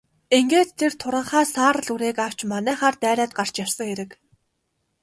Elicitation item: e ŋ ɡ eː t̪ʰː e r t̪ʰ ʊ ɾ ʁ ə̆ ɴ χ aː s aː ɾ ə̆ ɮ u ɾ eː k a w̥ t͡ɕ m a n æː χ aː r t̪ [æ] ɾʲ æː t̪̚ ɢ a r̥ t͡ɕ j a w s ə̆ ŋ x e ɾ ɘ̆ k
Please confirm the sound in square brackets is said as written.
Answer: no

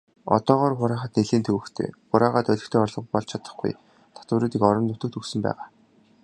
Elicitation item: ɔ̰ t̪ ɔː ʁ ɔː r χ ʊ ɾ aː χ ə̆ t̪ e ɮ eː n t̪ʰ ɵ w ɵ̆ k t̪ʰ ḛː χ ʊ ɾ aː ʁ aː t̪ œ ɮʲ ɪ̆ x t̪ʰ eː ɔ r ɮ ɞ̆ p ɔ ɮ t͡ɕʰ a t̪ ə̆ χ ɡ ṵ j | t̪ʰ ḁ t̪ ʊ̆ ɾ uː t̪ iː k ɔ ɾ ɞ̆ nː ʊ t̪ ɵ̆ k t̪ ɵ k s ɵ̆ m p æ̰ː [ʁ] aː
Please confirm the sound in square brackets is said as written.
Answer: yes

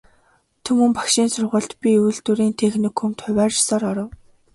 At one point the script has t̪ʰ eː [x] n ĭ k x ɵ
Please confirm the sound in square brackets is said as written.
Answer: yes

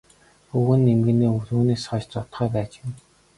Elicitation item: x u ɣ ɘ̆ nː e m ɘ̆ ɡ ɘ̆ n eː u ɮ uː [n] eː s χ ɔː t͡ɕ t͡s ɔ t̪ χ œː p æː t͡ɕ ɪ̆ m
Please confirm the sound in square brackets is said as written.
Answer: yes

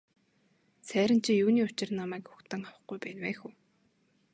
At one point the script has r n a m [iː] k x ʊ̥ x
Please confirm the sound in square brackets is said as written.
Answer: no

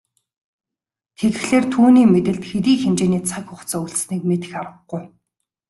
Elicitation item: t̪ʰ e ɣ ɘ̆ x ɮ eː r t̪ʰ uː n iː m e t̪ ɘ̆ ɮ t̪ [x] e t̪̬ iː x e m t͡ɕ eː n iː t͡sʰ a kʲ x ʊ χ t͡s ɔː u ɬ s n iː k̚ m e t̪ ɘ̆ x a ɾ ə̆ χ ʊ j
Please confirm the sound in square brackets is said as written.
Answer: yes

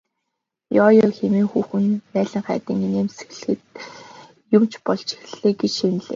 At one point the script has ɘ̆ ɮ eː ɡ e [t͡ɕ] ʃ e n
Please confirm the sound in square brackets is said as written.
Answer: yes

